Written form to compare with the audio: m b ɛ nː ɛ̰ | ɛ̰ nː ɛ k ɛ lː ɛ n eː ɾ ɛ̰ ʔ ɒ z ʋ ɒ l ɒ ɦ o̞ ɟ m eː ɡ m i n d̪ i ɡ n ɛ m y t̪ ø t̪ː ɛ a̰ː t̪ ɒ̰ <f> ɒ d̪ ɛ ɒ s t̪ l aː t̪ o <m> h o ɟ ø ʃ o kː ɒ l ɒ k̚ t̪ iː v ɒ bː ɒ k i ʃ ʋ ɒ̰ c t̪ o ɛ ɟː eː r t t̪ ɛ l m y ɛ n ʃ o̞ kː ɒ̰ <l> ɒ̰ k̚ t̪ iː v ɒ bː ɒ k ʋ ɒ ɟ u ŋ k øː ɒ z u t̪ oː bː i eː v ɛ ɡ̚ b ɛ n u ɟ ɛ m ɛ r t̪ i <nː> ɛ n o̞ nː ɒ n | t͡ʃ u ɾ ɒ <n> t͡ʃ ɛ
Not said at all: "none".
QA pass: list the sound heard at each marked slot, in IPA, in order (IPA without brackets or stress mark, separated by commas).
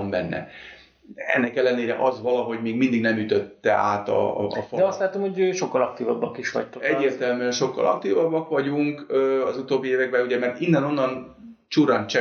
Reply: f, m, l, nː, n